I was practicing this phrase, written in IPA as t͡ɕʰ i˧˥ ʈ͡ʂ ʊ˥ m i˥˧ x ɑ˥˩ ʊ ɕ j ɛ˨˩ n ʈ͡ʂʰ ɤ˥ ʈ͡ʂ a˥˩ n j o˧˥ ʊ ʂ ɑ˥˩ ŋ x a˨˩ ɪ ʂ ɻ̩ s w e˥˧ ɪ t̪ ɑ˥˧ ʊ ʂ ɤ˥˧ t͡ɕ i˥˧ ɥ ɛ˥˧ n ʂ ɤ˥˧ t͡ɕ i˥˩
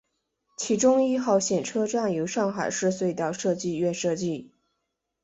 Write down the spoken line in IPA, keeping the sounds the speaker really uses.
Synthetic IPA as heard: t͡ɕʰ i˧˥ ʈ͡ʂ ʊ˥ ŋ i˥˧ x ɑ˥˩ ʊ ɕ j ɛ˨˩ n ʈ͡ʂʰ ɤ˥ ʈ͡ʂ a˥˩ n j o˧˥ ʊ ʂ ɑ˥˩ ŋ x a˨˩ ɪ ʂ ɻ̩ s w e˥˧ ɪ t̪ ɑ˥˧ ʊ ʂ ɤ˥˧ t͡ɕ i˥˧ ɥ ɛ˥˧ n ʂ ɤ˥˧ t͡ɕ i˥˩